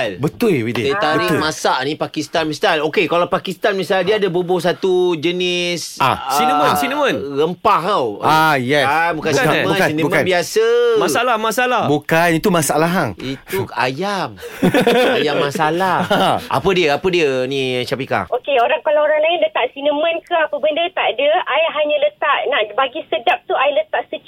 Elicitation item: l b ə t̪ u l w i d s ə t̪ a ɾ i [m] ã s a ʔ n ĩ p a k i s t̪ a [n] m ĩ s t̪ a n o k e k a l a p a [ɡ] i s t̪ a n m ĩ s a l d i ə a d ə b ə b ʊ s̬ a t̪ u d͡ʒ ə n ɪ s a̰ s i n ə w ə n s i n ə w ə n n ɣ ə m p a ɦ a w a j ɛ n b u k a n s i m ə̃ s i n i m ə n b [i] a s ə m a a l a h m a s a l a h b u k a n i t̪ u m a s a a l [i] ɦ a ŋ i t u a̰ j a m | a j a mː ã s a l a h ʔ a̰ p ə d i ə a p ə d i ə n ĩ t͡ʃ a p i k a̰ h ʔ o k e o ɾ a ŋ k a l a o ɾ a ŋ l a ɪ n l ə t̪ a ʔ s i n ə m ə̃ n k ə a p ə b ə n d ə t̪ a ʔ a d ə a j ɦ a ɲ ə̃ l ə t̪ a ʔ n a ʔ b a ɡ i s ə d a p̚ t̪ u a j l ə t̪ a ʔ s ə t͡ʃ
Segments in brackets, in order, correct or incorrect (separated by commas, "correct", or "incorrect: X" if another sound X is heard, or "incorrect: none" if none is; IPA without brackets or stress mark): correct, correct, incorrect: k, correct, incorrect: a